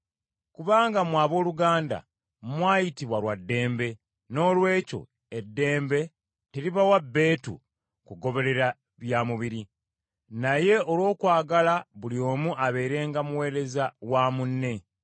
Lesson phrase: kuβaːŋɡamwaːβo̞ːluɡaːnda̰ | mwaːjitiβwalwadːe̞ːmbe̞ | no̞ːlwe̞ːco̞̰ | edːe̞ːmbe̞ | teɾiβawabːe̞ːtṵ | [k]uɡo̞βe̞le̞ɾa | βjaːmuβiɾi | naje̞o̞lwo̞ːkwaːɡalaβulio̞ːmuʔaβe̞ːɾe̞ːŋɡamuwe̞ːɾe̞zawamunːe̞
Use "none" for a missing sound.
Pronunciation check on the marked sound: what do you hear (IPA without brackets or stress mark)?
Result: k